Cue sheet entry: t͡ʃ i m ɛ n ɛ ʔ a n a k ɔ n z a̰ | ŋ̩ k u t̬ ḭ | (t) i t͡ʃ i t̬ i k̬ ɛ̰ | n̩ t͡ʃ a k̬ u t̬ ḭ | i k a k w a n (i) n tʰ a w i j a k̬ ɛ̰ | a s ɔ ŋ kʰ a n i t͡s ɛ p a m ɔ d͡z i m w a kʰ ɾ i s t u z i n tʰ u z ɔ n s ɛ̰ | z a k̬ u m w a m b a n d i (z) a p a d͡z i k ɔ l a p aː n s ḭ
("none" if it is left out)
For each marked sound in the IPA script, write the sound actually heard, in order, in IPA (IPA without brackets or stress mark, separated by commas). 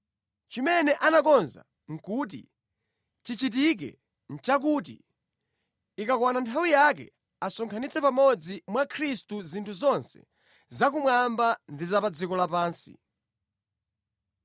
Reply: t͡ʃ, a, z